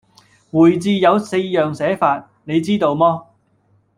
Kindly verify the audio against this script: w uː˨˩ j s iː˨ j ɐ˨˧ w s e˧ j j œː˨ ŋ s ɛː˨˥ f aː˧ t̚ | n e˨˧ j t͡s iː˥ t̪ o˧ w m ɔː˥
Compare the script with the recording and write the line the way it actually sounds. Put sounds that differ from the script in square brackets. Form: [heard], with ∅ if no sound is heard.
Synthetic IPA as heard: w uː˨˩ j [t͡s] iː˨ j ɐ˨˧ w s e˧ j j œː˨ ŋ s ɛː˨˥ f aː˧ t̚ | n e˨˧ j t͡s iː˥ t̪ o˧ w m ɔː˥